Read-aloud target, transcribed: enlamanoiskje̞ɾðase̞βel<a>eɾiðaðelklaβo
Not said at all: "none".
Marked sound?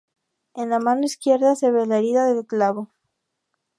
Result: a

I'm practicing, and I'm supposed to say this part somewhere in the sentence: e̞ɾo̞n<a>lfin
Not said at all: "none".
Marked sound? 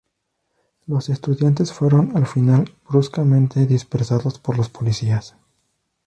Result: a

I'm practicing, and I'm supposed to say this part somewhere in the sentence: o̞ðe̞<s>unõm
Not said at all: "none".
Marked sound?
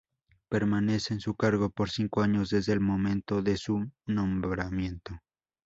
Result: s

